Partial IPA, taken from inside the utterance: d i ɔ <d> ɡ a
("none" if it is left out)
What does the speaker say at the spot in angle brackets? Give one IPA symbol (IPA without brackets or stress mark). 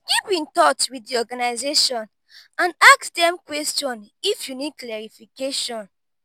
none